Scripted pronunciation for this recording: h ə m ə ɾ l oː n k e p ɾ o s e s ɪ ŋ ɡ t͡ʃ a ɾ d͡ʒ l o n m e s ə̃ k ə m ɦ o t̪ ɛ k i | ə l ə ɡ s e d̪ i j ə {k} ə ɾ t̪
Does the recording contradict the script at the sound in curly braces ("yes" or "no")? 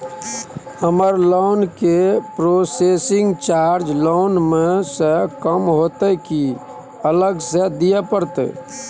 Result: yes